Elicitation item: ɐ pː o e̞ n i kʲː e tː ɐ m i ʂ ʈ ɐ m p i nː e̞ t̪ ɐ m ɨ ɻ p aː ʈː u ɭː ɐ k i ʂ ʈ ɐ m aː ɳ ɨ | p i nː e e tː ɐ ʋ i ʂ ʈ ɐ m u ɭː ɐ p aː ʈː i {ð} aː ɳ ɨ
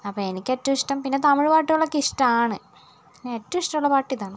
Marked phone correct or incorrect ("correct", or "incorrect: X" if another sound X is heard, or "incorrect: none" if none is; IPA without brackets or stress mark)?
correct